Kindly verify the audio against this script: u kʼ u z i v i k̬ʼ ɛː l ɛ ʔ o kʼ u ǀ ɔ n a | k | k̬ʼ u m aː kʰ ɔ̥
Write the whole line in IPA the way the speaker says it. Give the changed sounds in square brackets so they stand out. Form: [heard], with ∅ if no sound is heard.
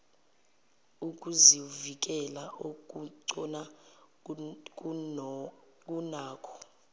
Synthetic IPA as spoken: u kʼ u z i v i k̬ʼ [ɛ] l [a] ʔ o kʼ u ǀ ɔ n a | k | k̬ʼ u [n] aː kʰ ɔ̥